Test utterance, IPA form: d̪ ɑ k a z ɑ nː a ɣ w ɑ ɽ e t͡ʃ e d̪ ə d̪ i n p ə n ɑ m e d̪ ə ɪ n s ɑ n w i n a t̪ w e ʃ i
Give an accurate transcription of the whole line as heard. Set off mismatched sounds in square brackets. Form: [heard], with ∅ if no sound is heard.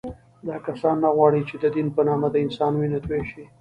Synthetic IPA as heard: d̪ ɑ k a [s] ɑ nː a ɣ w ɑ ɽ [i] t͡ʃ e d̪ ə d̪ i n p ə n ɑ m [a] d̪ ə ɪ n s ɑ n w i n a t̪ w e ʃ i

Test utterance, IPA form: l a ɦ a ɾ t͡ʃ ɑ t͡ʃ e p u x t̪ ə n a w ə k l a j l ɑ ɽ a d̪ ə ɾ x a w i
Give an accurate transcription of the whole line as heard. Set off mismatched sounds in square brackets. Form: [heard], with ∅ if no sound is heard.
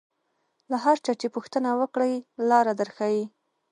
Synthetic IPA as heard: l a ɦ a ɾ t͡ʃ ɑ t͡ʃ e p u x t̪ ə n a w ə k [ɽ] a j l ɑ [ɾ] a d̪ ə ɾ x a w i

